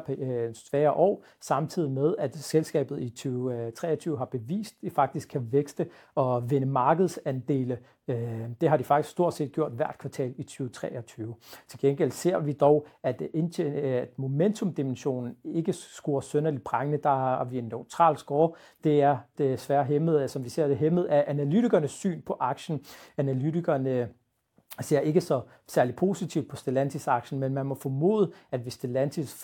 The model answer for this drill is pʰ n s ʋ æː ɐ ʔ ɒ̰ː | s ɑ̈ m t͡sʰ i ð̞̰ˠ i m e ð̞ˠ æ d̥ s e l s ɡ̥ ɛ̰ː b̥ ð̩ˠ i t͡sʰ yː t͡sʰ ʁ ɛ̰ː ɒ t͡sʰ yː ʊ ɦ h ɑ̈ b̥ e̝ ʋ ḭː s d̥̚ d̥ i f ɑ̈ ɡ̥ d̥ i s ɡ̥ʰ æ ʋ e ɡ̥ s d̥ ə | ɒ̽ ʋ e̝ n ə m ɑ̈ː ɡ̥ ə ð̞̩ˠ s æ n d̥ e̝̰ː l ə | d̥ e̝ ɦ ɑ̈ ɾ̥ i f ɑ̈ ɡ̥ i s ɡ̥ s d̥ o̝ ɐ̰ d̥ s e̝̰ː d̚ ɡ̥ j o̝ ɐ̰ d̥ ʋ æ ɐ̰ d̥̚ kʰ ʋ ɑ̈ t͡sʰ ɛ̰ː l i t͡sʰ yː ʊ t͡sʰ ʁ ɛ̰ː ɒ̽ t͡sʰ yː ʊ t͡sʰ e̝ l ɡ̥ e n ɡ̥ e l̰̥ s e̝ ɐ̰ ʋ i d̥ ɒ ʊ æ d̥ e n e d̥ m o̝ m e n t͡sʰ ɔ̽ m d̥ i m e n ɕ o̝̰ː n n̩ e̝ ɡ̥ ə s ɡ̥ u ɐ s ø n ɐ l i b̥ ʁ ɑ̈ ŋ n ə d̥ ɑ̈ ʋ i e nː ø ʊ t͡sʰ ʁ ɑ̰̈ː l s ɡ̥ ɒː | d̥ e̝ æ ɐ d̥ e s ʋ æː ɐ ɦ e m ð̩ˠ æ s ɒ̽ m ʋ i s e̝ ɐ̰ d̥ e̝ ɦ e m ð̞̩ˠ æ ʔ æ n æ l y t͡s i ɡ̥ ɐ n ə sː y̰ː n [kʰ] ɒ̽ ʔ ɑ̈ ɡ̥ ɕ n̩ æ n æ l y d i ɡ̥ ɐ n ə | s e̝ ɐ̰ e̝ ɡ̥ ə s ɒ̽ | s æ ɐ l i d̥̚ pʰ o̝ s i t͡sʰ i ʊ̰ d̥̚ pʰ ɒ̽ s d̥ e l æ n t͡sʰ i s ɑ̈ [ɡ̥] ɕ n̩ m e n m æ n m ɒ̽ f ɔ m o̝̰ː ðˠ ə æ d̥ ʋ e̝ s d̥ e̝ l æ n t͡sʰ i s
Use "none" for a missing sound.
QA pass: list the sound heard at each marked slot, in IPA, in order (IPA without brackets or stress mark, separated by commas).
pʰ, ɡ̥